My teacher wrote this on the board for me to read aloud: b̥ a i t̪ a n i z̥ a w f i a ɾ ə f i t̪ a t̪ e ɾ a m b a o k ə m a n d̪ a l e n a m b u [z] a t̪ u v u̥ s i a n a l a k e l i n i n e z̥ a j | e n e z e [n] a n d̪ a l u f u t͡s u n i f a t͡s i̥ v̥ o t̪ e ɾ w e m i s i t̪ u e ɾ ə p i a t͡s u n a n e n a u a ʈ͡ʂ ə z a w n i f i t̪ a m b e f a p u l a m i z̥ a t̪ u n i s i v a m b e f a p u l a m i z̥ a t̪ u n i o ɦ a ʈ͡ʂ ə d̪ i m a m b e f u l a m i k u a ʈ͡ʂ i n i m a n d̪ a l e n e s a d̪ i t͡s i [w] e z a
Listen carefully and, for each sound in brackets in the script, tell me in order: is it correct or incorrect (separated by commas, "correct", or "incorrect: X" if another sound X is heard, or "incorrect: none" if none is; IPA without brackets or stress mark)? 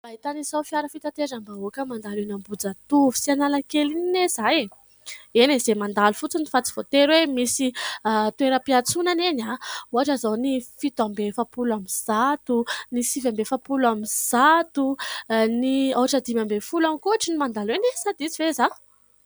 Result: incorrect: d͡z, incorrect: m, incorrect: v